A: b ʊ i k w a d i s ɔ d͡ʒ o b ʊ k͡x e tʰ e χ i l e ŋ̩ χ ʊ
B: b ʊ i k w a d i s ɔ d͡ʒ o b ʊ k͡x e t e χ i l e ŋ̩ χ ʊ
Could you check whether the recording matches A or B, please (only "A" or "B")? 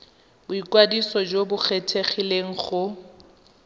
A